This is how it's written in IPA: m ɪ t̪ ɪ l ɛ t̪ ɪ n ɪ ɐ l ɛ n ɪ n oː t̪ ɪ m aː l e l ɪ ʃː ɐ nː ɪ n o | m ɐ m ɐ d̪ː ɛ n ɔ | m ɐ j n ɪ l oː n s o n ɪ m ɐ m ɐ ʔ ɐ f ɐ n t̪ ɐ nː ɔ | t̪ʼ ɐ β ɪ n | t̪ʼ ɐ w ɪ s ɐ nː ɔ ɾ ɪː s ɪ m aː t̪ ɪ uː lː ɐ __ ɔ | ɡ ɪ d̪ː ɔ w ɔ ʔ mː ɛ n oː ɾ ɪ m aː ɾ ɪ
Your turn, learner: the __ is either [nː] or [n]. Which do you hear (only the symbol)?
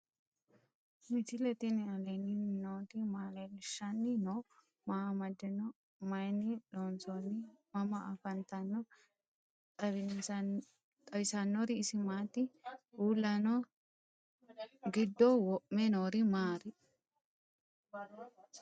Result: n